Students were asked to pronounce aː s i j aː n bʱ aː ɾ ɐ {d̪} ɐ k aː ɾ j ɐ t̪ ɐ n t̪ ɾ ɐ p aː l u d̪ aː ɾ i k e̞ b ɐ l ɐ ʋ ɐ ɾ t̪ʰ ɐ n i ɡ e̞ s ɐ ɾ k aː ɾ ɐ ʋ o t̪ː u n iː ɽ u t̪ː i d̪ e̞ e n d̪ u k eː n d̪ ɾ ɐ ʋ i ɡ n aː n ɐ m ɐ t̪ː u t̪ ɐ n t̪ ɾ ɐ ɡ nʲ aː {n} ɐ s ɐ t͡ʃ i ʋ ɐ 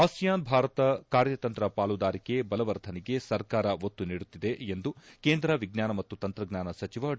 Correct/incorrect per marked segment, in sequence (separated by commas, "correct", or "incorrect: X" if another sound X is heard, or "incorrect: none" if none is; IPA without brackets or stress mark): incorrect: t̪, correct